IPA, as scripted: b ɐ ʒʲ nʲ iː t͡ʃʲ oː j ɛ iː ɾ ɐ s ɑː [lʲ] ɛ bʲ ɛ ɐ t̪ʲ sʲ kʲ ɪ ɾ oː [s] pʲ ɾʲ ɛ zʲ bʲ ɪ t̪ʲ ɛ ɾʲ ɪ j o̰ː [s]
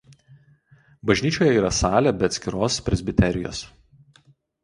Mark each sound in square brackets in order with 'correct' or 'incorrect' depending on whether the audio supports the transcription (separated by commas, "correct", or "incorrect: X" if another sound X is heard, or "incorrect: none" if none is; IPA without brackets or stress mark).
correct, correct, correct